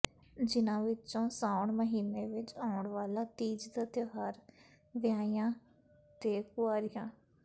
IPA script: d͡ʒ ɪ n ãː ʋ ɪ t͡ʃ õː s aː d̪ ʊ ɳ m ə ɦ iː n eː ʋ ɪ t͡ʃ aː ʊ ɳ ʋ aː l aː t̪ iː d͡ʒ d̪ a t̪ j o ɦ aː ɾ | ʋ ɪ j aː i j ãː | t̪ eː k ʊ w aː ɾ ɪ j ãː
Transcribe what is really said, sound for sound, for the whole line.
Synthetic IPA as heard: d͡ʒ ɪ n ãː ʋ ɪ t͡ʃ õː s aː ʊ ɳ m ə ɦ iː n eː ʋ ɪ t͡ʃ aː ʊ ɳ ʋ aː l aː t̪ iː d͡ʒ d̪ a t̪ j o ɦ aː ɾ | ʋ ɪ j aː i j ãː | t̪ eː k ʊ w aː ɾ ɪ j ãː